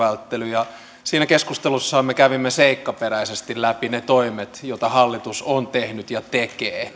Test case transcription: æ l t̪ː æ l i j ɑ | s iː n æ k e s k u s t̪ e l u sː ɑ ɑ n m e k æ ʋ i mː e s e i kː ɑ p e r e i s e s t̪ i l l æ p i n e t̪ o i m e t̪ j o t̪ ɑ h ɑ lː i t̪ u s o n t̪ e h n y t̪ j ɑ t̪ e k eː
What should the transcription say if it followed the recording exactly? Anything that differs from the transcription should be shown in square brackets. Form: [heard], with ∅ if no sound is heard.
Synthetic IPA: æ l t̪ː [e] l [y] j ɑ | s iː n æ k e s k u s t̪ e l u sː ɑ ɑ [m] m e k æ ʋ i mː e s e i kː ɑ p e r [æ] i s e s t̪ i l l æ p i n e t̪ o i m e t̪ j o t̪ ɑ h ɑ lː i t̪ u s o n t̪ e h n y t̪ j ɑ t̪ e k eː